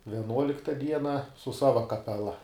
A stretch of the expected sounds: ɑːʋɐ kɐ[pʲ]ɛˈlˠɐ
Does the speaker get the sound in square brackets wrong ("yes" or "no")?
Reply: no